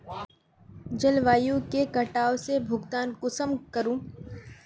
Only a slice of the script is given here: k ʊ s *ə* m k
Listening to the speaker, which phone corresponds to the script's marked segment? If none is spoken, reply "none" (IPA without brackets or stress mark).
ə